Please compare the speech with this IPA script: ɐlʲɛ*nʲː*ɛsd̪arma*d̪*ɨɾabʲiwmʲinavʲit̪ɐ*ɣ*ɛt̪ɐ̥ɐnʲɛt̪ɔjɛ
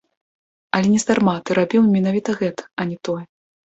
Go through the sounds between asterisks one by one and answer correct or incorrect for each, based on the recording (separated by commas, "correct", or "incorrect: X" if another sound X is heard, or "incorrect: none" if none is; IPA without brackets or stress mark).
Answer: incorrect: nʲ, incorrect: t̪, correct